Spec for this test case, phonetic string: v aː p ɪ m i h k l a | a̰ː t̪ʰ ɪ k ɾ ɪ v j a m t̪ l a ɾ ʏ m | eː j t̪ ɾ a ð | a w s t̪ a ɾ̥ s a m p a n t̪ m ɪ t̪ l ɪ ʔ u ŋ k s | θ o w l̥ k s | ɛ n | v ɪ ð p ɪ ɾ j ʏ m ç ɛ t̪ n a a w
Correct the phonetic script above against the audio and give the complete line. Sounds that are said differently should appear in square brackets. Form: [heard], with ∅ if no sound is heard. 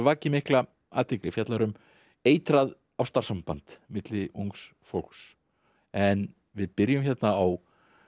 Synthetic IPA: v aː [c] ɪ m [ɪ] h k l a | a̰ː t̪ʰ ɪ k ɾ ɪ [f] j a [∅] t̪ l a ɾ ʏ m | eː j t̪ ɾ a ð | a w s t̪ a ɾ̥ s a m p a n t̪ m ɪ t̪ l ɪ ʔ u ŋ k s | [f] o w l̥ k s | ɛ n | v ɪ ð p ɪ ɾ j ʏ m ç ɛ t̪ n a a w